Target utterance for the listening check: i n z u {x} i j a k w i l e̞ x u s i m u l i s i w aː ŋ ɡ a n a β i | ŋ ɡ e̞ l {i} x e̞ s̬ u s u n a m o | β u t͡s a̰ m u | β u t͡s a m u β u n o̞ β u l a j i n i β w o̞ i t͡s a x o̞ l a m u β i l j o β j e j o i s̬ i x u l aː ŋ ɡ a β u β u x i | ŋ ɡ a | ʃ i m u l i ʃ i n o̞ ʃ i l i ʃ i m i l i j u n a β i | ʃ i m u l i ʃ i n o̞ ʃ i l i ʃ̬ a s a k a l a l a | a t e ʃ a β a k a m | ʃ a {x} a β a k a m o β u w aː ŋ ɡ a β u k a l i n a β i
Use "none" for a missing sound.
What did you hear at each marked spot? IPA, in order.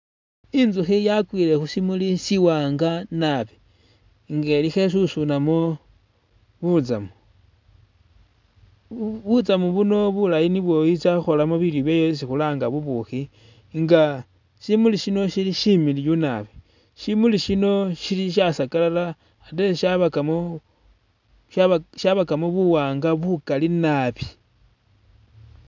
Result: x, i, ʃ

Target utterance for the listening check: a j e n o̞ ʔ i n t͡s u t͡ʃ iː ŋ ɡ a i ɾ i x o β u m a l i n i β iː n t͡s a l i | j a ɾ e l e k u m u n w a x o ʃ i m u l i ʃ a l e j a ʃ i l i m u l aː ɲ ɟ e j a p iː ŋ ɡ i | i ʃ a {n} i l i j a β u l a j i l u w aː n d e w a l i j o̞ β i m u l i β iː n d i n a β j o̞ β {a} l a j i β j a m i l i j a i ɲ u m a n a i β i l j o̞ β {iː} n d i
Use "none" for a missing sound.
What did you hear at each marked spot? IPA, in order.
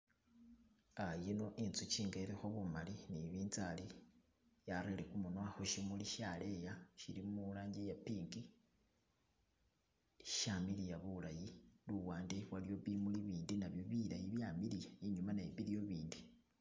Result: m, i, iː

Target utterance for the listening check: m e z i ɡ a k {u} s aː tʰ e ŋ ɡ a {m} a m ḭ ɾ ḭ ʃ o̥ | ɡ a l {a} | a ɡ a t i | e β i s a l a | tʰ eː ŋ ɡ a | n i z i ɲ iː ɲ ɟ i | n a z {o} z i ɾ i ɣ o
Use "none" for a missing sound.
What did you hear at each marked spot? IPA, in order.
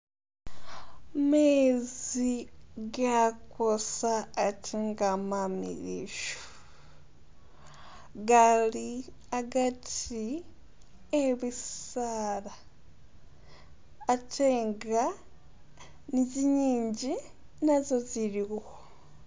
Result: o, m, i, o

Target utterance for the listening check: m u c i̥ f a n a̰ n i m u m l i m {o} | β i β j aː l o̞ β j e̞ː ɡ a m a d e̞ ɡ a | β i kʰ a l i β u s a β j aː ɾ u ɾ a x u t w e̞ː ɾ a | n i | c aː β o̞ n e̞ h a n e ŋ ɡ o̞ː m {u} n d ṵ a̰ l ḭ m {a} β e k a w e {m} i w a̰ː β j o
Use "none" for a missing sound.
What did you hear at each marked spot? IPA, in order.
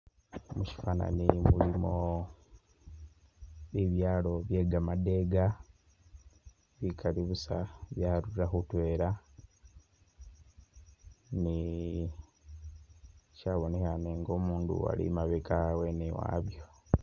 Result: o, uː, a, n

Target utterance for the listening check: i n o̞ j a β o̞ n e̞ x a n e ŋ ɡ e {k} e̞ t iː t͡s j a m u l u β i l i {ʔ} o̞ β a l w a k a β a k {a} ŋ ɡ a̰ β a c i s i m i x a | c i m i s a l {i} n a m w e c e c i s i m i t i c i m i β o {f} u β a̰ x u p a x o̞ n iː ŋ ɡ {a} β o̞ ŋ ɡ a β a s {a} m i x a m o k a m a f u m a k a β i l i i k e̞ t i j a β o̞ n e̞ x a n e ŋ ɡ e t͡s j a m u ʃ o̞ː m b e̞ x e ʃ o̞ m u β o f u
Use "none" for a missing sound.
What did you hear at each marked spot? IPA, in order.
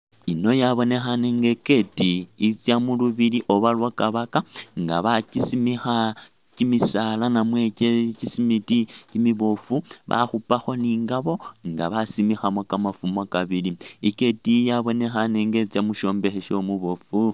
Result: k, ʔ, a, a, f, a, i

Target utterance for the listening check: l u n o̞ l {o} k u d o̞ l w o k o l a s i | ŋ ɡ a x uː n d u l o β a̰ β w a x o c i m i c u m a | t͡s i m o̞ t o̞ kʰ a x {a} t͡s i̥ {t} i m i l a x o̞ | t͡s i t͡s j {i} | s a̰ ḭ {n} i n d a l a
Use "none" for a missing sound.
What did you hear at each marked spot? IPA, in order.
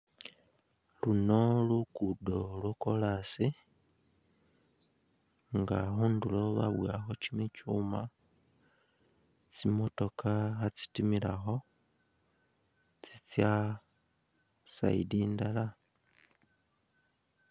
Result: u, a, t, a, d

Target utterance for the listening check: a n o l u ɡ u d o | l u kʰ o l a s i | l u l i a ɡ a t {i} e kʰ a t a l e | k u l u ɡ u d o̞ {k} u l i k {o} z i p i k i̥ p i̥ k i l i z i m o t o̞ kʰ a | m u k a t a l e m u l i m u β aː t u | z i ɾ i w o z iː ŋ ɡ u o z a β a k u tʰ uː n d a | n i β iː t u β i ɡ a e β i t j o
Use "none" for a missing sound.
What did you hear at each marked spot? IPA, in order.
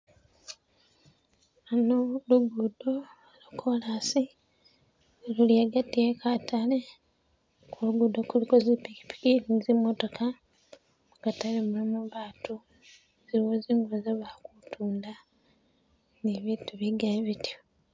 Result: i, k, o

